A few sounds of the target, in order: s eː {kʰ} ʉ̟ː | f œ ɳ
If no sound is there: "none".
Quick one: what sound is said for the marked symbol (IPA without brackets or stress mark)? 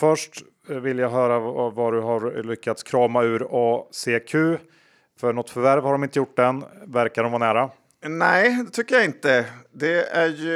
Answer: kʰ